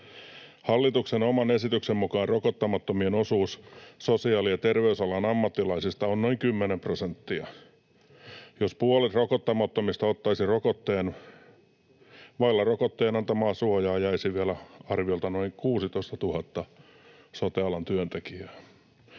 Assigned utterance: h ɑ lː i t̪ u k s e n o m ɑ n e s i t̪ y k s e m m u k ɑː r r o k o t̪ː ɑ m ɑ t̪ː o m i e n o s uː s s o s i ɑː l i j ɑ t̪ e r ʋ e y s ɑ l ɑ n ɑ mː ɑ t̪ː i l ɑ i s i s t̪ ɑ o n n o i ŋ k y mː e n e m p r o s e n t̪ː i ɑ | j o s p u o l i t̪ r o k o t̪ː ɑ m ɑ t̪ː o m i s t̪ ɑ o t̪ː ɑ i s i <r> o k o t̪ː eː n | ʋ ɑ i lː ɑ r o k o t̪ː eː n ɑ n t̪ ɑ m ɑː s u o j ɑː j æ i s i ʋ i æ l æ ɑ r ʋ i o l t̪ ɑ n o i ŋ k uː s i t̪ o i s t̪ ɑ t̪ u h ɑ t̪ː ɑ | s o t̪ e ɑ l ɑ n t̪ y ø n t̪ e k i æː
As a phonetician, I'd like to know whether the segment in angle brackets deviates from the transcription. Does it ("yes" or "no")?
no